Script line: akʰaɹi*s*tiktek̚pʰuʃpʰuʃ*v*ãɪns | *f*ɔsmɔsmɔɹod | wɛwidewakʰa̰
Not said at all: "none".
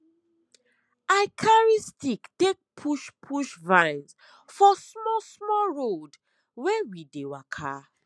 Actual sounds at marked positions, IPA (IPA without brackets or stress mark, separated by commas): s, v, f